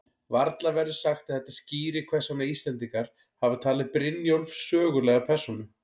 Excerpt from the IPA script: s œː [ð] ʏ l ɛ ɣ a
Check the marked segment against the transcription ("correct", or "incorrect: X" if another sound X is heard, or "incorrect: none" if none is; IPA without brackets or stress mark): incorrect: ɣ